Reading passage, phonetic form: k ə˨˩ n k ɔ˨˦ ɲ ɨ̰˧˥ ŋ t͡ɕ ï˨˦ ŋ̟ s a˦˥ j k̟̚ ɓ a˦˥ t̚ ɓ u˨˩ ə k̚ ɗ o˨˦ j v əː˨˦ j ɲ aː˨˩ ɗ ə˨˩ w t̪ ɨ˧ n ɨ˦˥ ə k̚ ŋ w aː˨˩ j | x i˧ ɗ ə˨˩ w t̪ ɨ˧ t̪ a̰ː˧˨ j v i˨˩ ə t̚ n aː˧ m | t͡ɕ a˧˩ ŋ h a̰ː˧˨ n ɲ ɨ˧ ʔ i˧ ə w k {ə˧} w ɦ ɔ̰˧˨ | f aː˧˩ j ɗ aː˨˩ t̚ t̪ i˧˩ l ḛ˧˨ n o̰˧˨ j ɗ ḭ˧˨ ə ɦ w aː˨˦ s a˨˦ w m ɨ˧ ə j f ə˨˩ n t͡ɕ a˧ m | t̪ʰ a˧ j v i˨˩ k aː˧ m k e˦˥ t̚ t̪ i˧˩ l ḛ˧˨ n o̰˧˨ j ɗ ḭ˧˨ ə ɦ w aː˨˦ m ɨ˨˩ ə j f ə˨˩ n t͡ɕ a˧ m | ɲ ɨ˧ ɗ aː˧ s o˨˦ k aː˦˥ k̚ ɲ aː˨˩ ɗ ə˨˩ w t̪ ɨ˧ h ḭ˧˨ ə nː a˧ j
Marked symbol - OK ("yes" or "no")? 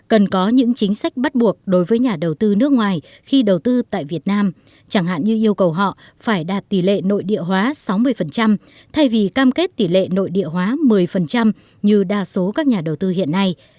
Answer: no